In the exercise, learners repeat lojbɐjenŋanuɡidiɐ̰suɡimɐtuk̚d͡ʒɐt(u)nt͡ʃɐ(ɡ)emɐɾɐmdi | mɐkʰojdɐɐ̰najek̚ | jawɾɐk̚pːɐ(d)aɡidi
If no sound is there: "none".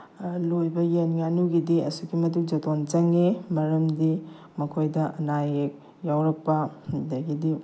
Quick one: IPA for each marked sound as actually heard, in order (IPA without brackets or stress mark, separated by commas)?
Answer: o, ŋ, d